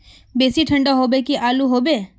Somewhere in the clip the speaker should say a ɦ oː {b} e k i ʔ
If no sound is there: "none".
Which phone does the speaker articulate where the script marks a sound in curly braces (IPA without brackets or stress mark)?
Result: b